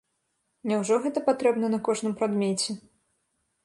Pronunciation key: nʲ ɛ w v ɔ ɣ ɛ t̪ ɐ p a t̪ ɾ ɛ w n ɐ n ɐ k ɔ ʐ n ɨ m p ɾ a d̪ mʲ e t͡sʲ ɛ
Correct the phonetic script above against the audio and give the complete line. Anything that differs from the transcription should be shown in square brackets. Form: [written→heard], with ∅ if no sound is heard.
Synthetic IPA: nʲ ɛ w [v→ʐ] ɔ ɣ ɛ t̪ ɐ p a t̪ ɾ ɛ [w→b] n ɐ n ɐ k ɔ ʐ n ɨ m p ɾ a d̪ mʲ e t͡sʲ ɛ